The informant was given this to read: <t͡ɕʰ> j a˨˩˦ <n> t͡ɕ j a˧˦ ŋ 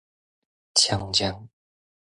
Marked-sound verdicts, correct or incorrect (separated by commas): correct, incorrect